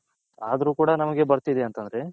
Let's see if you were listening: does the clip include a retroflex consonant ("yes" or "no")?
yes